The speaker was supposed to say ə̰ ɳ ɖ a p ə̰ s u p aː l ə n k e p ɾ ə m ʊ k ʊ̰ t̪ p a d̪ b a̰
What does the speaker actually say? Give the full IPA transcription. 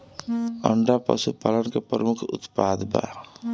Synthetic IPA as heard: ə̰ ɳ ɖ a p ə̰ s u p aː l ə n k e p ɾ ə m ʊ kʰ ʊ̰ t̪ p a d̪ b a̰

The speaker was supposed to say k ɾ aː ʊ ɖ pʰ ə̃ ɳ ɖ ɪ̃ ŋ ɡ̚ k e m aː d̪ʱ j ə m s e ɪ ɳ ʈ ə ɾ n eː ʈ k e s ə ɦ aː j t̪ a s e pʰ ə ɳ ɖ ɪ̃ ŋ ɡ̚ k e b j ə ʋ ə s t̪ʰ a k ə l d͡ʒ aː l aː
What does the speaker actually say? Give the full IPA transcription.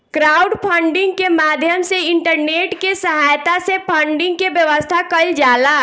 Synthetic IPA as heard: k ɾ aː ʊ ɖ pʰ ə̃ ɳ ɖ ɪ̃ ŋ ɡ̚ k e m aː d̪ʱ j ə m s e ɪ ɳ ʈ ə ɾ n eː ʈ k e s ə ɦ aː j t̪ a s e pʰ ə ɳ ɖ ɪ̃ ŋ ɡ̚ k e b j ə ʋ ə s t̪ʰ a k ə l d͡ʒ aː l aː

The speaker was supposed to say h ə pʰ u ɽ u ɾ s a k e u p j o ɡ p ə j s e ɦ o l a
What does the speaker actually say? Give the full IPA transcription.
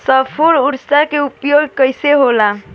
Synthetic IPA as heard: s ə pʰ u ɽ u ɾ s a k e u p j o ɡ k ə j s e ɦ o l a

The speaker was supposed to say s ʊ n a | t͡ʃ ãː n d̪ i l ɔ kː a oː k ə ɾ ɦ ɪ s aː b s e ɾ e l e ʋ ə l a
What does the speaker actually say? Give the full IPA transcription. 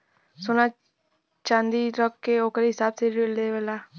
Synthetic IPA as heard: s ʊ n a | t͡ʃ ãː n d̪ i ɾ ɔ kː e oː k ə ɾ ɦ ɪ s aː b s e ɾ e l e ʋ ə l a

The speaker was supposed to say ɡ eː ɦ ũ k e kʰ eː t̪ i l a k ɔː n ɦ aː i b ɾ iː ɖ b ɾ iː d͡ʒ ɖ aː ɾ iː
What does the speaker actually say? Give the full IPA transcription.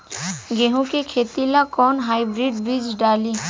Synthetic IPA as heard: ɡ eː ɦ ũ k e kʰ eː t̪ i l a k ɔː n ɦ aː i b ɾ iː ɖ b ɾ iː d͡ʒ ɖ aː l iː

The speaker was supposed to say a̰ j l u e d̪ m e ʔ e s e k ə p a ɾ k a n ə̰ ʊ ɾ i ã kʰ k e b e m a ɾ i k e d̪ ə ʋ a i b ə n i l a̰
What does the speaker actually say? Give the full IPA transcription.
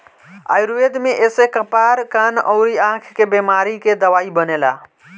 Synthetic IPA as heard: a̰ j ɾ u e d̪ m e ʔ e s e k ə p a ɾ k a n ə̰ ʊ ɾ i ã kʰ k e b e m a ɾ i k e d̪ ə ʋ a i b ə n e l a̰

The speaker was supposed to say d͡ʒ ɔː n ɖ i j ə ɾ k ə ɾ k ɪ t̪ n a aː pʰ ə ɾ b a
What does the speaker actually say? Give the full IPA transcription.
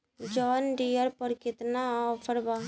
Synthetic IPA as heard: d͡ʒ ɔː n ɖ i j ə ɾ p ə ɾ k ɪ t̪ n a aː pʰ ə ɾ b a

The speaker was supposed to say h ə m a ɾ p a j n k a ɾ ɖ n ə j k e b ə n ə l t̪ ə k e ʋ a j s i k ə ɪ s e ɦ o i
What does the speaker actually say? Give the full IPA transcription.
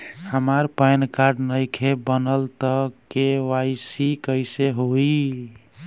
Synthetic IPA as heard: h ə m a ɾ p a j n k a ɾ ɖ n ə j kʰ e b ə n ə l t̪ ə k e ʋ a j s i k ə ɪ s e ɦ o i

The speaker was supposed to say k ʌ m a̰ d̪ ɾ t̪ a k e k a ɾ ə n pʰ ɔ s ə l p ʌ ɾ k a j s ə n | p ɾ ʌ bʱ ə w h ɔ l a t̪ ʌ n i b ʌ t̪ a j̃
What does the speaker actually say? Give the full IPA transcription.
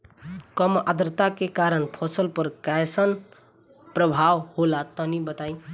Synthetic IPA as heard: k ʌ m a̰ d̪ ɾ t̪ a k e k a ɾ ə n pʰ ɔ s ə l p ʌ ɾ k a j s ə n | p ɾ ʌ bʱ a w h o l a t̪ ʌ n i b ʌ t̪ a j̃

